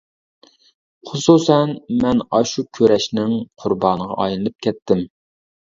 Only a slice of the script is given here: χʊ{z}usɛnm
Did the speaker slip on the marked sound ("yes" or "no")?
yes